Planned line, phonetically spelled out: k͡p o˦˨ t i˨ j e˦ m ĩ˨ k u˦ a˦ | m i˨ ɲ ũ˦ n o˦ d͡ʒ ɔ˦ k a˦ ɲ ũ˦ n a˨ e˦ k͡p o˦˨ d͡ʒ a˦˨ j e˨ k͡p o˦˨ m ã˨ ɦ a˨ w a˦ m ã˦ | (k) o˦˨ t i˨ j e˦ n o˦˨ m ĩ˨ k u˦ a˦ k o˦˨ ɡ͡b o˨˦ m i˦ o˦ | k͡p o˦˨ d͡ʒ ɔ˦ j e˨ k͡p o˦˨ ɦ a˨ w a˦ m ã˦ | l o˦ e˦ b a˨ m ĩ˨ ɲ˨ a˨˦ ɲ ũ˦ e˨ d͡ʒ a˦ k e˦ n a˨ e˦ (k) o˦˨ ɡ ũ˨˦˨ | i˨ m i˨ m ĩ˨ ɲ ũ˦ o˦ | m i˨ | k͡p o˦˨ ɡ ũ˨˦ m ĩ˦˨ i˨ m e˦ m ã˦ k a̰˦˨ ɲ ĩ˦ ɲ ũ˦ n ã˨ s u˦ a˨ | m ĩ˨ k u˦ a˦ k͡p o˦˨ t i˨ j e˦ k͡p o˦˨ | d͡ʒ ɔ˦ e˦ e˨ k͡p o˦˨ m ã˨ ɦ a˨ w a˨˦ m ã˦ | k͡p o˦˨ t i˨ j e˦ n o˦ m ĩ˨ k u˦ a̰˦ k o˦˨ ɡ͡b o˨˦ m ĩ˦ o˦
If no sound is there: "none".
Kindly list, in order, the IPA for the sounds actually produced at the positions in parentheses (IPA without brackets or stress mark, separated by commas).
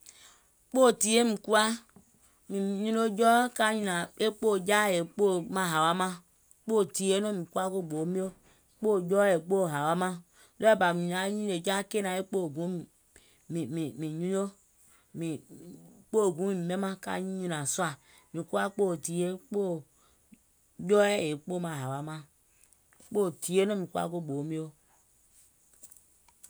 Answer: k͡p, k͡p